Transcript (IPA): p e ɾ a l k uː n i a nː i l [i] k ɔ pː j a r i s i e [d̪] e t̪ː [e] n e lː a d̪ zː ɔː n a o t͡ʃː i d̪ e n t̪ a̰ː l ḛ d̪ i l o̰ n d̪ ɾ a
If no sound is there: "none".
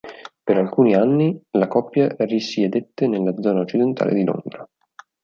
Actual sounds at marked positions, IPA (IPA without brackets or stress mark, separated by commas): a, d̪, e